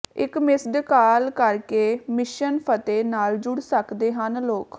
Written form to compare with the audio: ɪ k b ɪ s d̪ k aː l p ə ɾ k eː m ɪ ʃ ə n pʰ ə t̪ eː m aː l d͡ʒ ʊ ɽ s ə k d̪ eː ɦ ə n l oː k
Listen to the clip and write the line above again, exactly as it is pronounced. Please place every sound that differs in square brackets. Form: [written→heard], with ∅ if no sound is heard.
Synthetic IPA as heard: ɪ k [b→m] ɪ s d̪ k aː l [p→k] ə ɾ k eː m ɪ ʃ ə n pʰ ə t̪ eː [m→n] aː l d͡ʒ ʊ ɽ s ə k d̪ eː ɦ ə n l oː k